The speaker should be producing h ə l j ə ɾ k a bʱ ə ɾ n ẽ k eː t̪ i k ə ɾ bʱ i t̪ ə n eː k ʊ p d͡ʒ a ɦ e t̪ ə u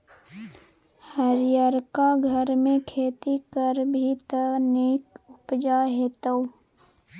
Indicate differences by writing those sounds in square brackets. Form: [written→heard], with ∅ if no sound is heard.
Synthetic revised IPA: h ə [l→ɾ] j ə ɾ k a [bʱ→ɡʱ] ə ɾ [n→m] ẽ [k→kʰ] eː t̪ i k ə ɾ bʱ i t̪ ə n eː k ʊ p d͡ʒ a ɦ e t̪ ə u